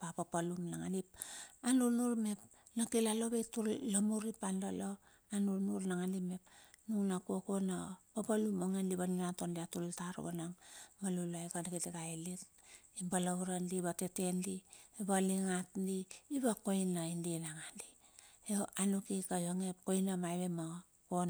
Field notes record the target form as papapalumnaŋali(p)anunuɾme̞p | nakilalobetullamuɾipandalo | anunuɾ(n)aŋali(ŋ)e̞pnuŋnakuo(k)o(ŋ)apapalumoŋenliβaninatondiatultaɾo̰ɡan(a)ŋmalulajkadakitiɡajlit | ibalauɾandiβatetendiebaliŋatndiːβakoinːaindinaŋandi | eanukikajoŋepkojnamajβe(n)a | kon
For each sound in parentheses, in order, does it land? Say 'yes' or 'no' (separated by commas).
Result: yes, yes, no, yes, no, yes, no